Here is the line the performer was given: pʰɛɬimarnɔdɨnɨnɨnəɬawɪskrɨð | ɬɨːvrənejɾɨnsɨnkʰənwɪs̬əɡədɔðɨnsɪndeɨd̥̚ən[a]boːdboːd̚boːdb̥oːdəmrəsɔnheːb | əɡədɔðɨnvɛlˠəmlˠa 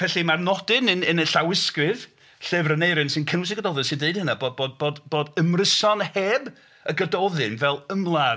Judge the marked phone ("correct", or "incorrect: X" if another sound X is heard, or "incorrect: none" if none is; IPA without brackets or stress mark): correct